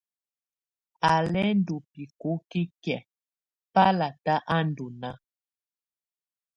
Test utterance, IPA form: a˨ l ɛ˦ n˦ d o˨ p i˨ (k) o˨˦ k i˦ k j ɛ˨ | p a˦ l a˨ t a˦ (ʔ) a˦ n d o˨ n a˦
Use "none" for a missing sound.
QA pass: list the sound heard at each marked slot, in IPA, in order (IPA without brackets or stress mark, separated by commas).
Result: k, ʔ